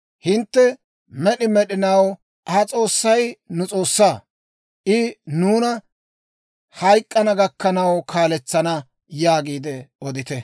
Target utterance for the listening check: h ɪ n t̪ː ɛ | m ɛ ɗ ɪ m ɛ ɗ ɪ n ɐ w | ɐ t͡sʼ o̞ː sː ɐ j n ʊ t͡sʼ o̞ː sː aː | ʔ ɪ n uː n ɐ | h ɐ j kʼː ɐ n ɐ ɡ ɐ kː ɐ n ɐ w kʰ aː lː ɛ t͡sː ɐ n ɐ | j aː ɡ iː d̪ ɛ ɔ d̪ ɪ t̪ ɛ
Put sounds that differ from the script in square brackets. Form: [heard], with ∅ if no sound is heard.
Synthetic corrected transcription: h ɪ n t̪ː ɛ | m ɛ ɗ ɪ m ɛ ɗ ɪ n ɐ w | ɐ t͡sʼ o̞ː sː ɐ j n ʊ t͡sʼ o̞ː sː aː | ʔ ɪ n uː n ɐ | h ɐ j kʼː ɐ n ɐ ɡ ɐ kː ɐ n ɐ w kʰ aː [l] ɛ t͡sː ɐ n ɐ | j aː ɡ iː d̪ ɛ ɔ d̪ ɪ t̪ ɛ